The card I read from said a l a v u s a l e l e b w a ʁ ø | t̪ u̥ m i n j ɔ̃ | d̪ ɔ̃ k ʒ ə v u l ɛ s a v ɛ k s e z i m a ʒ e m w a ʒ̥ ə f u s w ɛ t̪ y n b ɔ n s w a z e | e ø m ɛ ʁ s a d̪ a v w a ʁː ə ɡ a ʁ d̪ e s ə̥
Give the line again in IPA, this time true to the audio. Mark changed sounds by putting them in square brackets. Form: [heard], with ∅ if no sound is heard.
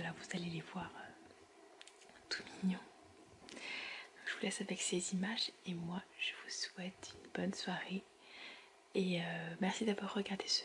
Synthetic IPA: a l a v u [z] a l e l e [v] w a ʁ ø | t̪ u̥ m i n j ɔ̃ | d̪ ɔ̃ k ʒ ə v u l ɛ s a v ɛ k s e z i m a ʒ e m w a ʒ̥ ə [v] u s w ɛ t̪ y n b ɔ n s w a [ʁ] e | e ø m ɛ ʁ s [i] d̪ a v w a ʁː ə ɡ a ʁ d̪ e s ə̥